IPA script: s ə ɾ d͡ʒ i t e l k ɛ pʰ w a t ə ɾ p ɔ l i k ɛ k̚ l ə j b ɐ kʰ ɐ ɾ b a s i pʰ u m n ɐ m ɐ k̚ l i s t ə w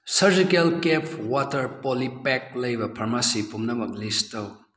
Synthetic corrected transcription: s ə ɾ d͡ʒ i k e l k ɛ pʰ w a t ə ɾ p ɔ l i p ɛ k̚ l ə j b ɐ pʰ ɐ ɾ m a s i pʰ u m n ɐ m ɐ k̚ l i s t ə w